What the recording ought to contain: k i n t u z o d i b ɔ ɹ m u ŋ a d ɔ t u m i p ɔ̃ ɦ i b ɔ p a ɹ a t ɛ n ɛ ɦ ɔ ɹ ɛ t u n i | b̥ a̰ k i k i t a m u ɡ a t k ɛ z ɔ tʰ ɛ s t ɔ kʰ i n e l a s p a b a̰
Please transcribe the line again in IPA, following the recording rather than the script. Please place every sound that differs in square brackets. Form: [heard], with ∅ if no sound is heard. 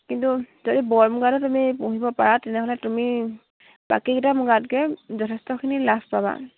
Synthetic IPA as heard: k i n t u z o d i b ɔ ɹ m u [ɡ] a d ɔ t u m i p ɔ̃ ɦ i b ɔ p a ɹ a t ɛ n ɛ ɦ ɔ [l] ɛ t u [m] i | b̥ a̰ k i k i t a m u ɡ a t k ɛ z ɔ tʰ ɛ s t ɔ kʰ i n [i] l a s p a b a̰